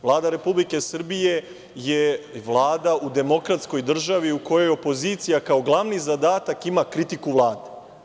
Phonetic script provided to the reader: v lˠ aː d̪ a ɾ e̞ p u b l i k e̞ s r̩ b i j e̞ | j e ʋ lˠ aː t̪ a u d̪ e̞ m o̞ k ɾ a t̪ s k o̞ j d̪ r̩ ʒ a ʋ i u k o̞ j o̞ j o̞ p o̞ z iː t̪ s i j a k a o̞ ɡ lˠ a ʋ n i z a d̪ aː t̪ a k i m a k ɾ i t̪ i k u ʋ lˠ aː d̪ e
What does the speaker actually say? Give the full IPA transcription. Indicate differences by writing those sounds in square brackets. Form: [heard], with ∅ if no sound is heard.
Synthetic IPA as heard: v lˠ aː d̪ a ɾ e̞ p u b l i k e̞ s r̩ b i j e̞ | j e ʋ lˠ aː [d̪] a u d̪ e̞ m o̞ k ɾ a t̪ s k o̞ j d̪ r̩ ʒ a ʋ i u k o̞ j o̞ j o̞ p o̞ z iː t̪ s i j a k a o̞ ɡ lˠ a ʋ n i z a d̪ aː t̪ a k i m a k ɾ i t̪ i k u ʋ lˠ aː d̪ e